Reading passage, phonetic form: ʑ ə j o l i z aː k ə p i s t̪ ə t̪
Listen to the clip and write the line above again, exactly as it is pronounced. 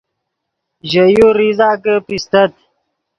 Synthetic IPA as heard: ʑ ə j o ɾ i z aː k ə p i s t̪ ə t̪